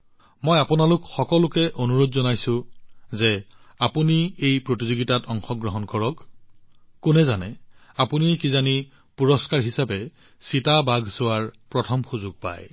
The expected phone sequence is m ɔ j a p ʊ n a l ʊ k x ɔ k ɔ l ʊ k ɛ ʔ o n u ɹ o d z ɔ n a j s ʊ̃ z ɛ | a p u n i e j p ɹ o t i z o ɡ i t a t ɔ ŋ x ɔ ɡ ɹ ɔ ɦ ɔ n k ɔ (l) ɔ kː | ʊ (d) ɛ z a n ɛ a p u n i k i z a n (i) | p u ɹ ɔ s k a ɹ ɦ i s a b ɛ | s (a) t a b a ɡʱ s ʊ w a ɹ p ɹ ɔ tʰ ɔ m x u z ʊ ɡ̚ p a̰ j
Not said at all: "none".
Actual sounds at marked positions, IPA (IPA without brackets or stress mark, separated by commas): ɹ, n, i, i